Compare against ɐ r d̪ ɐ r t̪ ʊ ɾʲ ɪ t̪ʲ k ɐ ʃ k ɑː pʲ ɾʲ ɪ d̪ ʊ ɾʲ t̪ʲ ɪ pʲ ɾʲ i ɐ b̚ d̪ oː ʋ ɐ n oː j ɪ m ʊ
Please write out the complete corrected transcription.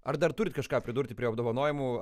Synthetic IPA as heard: ɐ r d̪ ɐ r t̪ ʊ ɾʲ ɪ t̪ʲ k ɐ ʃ k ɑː pʲ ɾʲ ɪ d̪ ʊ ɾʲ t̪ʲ ɪ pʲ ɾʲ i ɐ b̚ d̪ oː ʋ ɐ n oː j ɪ m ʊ